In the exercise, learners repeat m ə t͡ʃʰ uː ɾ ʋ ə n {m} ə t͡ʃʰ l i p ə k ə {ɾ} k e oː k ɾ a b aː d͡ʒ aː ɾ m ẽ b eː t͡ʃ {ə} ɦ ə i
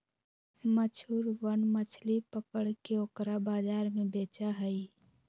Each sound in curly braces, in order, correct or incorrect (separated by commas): correct, incorrect, incorrect